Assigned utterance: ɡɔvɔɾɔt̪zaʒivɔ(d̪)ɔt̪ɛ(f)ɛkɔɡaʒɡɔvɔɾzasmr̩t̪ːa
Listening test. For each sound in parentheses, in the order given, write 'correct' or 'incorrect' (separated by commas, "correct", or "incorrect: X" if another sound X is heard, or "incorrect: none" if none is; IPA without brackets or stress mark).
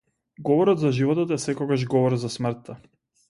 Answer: incorrect: t̪, incorrect: s